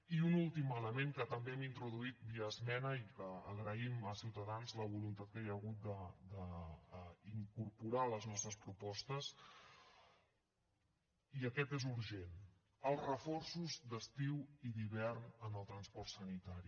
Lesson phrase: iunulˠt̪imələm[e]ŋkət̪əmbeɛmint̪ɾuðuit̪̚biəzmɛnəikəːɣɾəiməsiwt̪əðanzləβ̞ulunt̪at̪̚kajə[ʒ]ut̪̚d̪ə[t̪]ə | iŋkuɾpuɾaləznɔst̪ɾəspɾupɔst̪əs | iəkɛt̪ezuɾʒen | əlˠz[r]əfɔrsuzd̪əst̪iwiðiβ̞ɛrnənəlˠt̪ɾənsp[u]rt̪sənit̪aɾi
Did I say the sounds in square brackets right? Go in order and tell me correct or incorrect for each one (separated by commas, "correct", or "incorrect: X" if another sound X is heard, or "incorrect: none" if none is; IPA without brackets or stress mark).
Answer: correct, incorrect: ɣ, incorrect: d̪, correct, incorrect: ɔ